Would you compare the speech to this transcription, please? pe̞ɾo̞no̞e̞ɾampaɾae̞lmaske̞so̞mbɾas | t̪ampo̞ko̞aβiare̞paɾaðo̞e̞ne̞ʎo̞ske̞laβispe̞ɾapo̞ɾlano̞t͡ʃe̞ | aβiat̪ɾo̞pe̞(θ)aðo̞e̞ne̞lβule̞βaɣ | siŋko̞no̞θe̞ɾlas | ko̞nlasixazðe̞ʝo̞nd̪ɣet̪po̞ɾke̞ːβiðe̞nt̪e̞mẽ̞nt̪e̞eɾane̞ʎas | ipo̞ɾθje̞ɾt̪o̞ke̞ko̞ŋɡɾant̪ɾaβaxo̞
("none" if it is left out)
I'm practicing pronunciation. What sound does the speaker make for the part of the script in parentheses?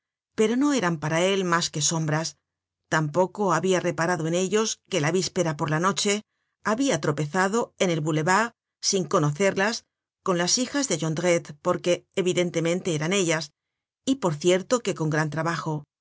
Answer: θ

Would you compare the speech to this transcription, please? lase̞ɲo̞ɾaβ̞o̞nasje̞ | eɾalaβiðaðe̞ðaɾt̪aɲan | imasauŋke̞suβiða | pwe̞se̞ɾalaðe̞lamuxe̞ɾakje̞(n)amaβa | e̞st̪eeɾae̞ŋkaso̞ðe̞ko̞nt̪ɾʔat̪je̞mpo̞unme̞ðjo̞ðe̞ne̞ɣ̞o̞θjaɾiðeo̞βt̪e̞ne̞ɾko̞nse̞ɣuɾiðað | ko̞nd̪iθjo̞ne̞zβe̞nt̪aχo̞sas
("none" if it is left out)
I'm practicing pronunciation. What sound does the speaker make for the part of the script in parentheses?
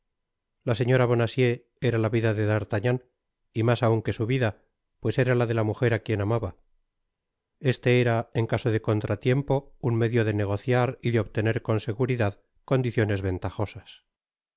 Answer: n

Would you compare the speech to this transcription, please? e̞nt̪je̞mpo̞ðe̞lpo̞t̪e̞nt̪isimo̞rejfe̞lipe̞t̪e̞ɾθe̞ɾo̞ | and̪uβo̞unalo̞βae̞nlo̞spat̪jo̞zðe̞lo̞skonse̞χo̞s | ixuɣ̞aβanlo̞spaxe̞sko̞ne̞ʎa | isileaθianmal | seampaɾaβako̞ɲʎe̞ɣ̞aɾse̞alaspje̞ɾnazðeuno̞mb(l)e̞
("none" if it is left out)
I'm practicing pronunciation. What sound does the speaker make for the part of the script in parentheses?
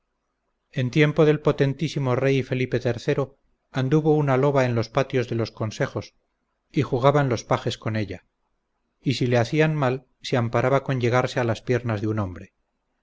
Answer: ɾ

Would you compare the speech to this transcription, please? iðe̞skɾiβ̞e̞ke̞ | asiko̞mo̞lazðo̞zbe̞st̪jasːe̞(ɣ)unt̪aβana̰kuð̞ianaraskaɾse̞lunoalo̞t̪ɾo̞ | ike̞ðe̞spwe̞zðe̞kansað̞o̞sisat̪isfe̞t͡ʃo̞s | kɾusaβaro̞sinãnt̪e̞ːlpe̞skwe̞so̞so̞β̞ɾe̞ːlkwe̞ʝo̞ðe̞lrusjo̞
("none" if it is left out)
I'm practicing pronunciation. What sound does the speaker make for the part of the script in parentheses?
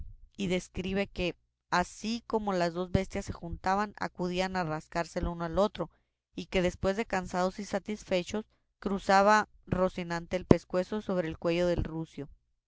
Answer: x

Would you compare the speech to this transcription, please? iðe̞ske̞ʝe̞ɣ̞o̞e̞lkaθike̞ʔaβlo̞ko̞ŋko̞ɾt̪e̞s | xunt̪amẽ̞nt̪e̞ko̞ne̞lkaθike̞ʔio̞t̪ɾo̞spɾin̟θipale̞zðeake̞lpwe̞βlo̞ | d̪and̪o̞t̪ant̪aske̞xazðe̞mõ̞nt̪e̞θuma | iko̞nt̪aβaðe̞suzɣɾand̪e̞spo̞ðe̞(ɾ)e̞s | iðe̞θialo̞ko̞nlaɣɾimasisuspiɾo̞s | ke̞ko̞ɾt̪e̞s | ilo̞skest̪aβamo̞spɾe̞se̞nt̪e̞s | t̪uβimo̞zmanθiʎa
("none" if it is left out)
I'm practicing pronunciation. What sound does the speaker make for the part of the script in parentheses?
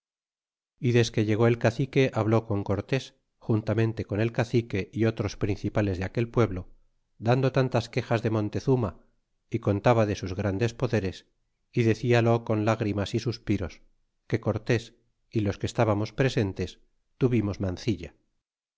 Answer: ɾ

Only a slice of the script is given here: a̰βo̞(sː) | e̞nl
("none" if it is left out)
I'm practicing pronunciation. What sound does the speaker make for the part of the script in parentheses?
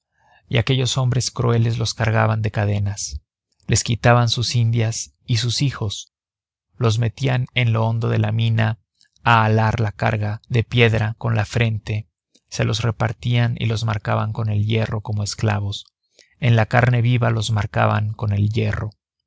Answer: s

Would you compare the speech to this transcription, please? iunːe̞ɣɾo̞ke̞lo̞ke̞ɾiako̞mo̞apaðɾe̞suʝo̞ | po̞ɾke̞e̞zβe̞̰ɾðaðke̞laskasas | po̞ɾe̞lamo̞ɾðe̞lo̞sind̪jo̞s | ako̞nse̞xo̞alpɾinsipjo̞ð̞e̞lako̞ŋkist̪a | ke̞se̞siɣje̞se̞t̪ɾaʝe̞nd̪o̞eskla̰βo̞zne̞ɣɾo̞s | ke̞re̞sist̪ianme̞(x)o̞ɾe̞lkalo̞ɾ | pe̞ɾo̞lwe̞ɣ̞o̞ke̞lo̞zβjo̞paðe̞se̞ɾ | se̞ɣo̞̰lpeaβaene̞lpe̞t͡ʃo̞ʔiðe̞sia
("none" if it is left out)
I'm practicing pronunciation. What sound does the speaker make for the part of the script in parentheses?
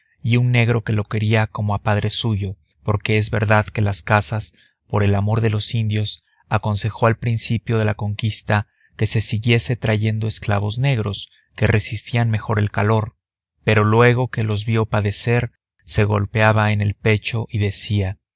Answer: x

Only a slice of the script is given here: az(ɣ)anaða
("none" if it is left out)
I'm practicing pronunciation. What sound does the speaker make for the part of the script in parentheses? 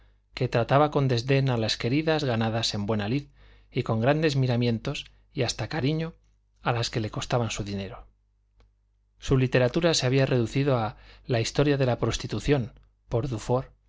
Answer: ɣ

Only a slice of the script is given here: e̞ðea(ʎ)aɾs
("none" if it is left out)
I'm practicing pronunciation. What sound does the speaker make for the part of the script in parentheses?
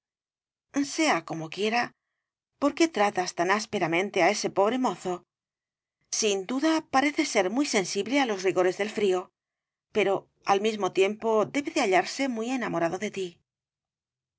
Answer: ʎ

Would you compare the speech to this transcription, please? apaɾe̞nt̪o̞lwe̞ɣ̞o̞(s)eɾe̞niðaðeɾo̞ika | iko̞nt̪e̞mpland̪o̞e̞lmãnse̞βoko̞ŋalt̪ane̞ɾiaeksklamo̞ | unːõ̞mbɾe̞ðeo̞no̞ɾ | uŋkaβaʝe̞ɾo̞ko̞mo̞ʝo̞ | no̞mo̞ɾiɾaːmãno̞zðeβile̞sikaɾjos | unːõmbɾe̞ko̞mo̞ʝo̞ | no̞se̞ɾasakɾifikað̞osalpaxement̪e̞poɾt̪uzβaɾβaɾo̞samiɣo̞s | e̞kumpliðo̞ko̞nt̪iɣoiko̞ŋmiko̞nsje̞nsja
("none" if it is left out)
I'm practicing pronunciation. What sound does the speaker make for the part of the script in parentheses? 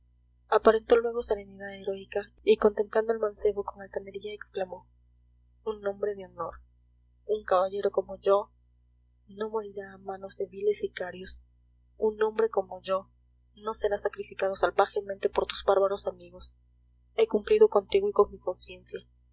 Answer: s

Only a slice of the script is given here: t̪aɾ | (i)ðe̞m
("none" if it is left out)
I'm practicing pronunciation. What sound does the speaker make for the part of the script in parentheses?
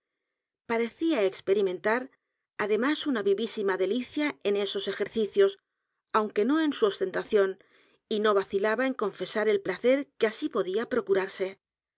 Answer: a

